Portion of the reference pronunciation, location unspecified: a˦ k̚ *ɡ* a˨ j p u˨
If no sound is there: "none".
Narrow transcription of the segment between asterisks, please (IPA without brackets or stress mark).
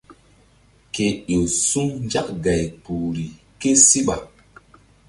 ɡ